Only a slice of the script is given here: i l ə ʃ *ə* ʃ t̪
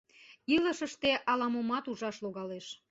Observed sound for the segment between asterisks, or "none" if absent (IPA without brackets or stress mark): ə